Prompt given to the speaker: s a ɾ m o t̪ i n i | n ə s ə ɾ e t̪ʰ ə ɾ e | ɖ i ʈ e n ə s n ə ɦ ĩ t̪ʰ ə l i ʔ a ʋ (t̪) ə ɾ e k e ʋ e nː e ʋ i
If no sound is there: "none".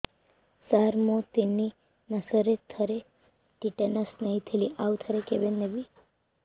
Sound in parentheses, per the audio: t̪ʰ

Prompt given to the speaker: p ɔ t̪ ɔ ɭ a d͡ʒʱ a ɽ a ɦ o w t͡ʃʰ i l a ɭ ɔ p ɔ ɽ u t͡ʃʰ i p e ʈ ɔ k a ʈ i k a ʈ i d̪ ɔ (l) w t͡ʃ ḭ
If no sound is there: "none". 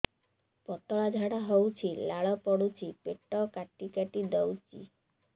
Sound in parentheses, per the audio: none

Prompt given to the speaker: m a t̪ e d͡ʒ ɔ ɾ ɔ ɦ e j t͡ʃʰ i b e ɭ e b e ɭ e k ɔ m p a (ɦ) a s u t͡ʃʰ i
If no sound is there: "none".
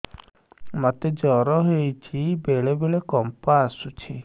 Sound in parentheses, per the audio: none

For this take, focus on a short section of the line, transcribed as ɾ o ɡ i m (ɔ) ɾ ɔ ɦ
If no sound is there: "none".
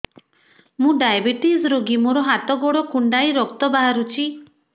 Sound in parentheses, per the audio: o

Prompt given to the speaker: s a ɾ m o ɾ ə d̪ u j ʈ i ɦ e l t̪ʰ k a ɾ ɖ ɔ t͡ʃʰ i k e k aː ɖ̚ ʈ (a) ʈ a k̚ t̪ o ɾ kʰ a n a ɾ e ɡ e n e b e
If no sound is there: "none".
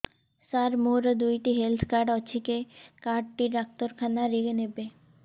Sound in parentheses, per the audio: i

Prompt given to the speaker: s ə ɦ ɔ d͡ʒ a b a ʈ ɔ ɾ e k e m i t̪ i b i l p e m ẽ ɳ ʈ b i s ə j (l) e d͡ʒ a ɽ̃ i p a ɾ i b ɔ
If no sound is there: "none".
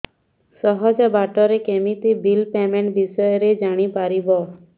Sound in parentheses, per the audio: ɾ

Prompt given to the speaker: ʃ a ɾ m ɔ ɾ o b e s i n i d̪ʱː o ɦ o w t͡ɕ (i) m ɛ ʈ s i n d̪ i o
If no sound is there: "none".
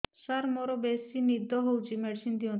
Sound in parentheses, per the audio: i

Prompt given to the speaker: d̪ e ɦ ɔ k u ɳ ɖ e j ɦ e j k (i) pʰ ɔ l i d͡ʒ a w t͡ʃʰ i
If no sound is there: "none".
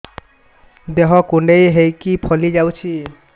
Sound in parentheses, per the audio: i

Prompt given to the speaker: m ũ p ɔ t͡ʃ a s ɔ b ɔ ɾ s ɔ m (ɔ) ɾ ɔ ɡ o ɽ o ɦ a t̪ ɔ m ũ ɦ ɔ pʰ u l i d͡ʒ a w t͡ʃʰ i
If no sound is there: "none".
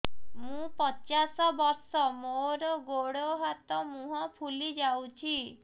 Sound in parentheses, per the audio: o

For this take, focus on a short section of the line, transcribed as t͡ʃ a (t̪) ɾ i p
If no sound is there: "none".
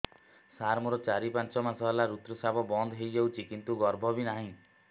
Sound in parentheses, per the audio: none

